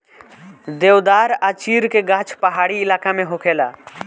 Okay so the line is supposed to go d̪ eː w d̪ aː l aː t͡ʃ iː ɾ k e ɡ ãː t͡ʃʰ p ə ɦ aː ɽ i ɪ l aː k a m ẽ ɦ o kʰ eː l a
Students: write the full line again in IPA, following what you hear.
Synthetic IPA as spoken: d̪ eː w d̪ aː ɾ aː t͡ʃ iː ɾ k e ɡ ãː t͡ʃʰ p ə ɦ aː ɽ i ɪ l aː k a m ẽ ɦ o kʰ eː l a